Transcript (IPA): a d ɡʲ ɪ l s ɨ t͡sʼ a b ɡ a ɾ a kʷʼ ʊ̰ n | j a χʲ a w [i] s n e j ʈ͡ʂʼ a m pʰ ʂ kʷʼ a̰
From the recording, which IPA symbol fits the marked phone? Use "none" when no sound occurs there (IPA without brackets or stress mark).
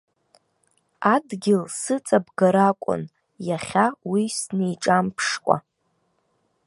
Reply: i